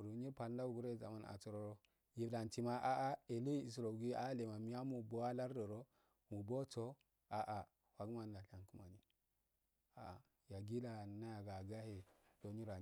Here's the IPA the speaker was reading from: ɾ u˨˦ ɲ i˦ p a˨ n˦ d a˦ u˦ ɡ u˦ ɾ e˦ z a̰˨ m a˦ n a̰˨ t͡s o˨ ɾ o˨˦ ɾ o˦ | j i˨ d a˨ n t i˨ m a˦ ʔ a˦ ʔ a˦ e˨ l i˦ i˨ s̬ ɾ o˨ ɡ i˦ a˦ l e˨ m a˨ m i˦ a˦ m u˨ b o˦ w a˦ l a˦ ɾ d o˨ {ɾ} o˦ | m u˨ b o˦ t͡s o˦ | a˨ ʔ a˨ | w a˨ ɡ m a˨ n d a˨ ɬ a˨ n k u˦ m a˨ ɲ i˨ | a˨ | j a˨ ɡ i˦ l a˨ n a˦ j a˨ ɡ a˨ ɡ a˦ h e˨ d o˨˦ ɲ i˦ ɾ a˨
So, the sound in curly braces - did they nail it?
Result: yes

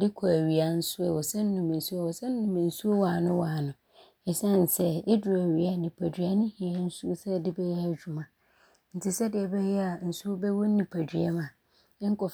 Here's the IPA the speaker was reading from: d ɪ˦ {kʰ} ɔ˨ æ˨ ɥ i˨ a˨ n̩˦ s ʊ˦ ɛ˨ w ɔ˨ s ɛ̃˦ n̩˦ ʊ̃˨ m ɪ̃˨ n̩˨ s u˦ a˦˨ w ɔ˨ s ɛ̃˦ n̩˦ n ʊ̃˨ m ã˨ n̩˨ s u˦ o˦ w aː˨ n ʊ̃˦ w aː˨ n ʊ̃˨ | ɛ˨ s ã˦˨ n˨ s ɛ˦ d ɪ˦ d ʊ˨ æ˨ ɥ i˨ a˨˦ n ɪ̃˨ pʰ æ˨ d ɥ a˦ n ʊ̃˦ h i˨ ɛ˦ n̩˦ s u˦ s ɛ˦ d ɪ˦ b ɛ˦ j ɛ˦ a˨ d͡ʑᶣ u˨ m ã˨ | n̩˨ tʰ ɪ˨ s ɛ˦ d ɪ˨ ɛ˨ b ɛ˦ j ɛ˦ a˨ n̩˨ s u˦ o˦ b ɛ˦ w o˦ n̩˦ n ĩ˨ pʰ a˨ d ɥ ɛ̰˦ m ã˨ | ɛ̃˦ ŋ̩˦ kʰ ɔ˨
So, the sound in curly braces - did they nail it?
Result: yes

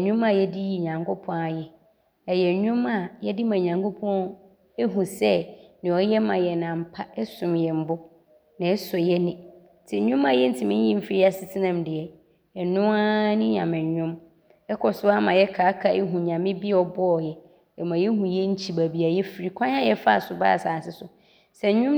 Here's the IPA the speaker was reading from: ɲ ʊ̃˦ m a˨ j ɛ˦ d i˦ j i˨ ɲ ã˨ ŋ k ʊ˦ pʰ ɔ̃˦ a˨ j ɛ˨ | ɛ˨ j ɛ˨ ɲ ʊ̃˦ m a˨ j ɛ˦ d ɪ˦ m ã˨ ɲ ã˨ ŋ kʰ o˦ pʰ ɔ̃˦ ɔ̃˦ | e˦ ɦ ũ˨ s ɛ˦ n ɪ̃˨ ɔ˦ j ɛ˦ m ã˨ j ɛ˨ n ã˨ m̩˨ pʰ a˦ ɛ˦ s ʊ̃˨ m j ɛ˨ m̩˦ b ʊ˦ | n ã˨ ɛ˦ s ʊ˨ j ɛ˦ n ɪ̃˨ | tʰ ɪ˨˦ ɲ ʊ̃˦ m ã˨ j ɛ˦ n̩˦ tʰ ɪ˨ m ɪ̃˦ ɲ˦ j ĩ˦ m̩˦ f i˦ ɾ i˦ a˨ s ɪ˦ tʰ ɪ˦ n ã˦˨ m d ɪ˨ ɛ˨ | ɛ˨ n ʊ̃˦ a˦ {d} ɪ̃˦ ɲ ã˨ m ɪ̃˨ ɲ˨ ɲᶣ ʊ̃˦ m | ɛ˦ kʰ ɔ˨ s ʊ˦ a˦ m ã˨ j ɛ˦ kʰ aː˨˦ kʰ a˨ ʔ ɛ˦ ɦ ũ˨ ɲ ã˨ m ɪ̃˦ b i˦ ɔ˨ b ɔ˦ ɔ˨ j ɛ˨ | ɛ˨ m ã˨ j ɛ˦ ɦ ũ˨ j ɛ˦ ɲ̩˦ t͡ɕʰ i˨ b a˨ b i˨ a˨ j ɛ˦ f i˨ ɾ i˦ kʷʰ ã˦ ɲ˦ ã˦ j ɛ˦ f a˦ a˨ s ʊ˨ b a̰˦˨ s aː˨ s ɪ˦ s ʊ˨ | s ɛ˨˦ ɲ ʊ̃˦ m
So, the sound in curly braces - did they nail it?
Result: no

